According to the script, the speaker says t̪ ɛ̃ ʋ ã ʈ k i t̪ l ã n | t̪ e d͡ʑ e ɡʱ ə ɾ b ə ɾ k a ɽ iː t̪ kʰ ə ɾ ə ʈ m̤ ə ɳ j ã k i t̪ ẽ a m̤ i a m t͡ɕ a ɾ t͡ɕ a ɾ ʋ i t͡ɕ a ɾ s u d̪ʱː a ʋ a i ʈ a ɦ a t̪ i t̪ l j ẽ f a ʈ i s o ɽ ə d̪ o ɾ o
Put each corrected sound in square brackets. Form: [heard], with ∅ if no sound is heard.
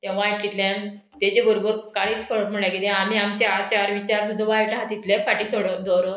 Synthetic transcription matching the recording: t̪ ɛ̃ ʋ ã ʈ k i t̪ l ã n | t̪ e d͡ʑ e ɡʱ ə ɾ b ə ɾ k a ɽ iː t̪ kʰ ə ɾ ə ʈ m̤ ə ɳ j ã k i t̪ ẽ a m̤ i a m t͡ɕ a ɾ t͡ɕ a ɾ ʋ i t͡ɕ a ɾ s u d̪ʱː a ʋ a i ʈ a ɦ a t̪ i t̪ l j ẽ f a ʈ i s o ɽ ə d̪ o ɾ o